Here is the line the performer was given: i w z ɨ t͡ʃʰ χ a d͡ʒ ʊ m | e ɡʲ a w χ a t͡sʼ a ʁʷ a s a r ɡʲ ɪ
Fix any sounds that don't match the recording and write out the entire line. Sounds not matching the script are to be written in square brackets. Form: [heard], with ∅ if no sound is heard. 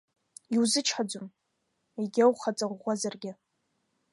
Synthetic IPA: i w z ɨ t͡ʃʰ [ħ] a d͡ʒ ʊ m | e ɡʲ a w χ a t͡sʼ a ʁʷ a [z] a r ɡʲ ɪ